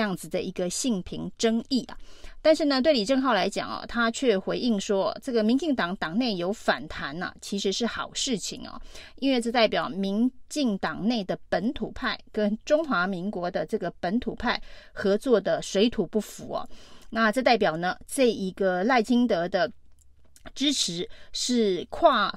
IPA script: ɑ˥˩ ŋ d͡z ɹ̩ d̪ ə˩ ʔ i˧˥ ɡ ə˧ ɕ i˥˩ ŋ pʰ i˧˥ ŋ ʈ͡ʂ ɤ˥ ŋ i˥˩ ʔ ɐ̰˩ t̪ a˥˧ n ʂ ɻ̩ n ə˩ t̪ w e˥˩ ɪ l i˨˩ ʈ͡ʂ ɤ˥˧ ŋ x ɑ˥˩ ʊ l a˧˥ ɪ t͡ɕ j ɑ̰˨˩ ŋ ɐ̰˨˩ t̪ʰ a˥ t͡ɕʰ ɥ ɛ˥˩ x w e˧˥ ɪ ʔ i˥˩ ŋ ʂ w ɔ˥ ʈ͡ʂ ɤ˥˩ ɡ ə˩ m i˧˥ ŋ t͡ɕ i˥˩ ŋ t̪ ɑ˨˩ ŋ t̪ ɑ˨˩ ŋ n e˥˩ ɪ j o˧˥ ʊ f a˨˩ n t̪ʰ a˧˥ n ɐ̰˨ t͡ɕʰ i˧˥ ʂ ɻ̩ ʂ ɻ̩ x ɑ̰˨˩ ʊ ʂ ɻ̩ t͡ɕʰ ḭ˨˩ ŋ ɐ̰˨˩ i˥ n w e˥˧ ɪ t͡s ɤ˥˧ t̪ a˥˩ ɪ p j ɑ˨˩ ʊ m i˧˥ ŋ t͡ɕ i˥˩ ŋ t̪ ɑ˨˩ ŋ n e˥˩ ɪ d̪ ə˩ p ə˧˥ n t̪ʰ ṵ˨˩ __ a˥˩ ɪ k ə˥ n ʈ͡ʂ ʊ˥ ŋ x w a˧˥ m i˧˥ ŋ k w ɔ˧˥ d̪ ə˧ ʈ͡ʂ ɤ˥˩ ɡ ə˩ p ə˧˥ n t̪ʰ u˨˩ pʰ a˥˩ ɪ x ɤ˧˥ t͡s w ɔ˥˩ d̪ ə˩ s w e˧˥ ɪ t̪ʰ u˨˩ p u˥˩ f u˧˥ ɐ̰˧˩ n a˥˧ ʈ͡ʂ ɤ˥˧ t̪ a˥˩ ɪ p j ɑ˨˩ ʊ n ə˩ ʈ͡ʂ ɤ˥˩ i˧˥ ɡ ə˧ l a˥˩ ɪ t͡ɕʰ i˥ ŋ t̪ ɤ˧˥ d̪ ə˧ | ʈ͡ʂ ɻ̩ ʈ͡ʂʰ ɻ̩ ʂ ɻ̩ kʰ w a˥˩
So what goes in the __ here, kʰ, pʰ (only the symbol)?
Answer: pʰ